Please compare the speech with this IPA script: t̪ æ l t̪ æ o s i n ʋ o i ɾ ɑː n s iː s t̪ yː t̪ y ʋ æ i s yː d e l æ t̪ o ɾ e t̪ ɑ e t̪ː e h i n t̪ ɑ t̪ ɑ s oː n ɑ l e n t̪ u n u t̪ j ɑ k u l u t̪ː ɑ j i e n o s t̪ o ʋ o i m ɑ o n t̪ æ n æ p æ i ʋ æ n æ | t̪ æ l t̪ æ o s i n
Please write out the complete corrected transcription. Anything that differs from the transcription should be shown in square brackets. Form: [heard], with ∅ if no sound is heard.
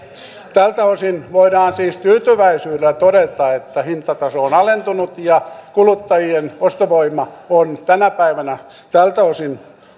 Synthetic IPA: t̪ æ l t̪ æ o s i n ʋ o i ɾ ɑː n s iː s t̪ yː t̪ y ʋ æ i s yː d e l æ t̪ o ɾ e t̪ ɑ e t̪ː [æ] h i n t̪ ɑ t̪ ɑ s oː n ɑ l e n t̪ u n u t̪ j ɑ k u l u t̪ː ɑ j i e n o s t̪ o ʋ o i m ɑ o n t̪ æ n æ p æ i ʋ æ n æ | t̪ æ l t̪ æ o s i n